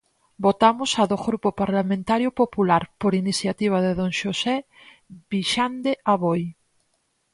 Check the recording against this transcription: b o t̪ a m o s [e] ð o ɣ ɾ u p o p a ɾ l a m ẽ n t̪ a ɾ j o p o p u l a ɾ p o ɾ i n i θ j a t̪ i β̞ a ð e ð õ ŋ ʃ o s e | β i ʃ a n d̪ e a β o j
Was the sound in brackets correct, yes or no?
no